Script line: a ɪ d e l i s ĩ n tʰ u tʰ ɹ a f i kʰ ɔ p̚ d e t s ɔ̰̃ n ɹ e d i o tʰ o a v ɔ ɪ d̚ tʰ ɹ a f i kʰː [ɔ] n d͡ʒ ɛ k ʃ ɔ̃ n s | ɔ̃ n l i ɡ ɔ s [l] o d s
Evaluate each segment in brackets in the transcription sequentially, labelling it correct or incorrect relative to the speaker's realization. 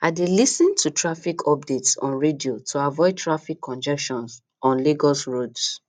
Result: incorrect: ɔ̃, incorrect: ɹ

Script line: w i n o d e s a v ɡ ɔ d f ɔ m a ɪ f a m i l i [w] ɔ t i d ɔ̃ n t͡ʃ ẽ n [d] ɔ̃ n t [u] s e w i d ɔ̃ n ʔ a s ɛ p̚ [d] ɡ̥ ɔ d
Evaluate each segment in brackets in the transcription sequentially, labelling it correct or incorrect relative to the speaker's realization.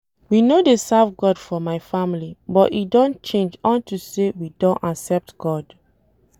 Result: incorrect: b, incorrect: d͡ʒ, correct, incorrect: t

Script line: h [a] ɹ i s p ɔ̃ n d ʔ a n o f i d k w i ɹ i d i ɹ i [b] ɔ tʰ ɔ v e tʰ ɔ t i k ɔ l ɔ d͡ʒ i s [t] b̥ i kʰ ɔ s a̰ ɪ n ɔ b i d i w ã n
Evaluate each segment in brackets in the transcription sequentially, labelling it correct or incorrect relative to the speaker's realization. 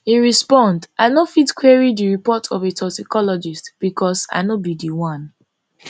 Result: incorrect: i, incorrect: p, correct

